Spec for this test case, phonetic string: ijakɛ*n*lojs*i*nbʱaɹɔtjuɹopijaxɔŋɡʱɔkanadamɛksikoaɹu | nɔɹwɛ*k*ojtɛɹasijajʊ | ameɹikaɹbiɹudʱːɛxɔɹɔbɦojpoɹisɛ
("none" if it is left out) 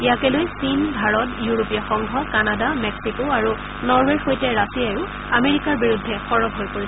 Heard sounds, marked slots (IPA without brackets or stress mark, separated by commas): none, i, x